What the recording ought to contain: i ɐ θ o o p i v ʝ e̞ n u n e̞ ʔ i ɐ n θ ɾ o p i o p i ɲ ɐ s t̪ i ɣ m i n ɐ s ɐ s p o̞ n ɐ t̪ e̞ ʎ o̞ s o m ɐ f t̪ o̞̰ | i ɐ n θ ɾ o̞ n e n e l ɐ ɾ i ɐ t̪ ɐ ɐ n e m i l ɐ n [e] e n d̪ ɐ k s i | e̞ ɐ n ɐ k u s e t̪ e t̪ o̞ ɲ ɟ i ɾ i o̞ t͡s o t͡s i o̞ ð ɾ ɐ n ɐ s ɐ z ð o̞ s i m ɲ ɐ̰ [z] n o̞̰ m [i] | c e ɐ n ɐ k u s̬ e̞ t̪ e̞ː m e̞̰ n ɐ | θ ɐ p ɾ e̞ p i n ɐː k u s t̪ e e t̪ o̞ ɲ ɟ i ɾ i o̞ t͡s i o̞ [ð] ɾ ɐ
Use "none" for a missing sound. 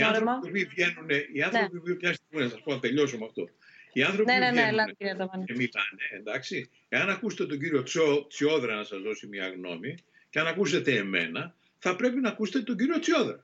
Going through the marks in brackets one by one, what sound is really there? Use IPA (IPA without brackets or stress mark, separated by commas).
e, ɣ, i, ð